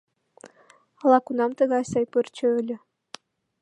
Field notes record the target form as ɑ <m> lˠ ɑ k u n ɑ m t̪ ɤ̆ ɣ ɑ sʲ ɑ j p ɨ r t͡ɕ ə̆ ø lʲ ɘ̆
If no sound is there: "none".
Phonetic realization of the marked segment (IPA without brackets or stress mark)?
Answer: none